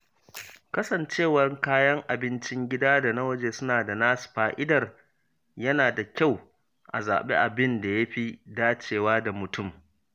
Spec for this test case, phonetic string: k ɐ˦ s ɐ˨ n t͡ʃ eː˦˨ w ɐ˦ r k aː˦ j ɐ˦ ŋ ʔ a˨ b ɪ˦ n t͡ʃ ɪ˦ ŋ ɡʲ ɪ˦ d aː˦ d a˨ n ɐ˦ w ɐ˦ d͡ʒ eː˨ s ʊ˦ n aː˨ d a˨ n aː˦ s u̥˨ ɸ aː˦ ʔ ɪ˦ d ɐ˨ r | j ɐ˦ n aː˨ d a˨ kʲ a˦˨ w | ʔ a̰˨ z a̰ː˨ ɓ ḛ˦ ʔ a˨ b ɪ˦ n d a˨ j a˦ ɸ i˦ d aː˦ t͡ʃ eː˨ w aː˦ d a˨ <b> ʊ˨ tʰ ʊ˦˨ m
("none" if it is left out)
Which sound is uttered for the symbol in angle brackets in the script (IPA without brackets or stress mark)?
m